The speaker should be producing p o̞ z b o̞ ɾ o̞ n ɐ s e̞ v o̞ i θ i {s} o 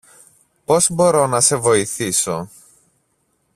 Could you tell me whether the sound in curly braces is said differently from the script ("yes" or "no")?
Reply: no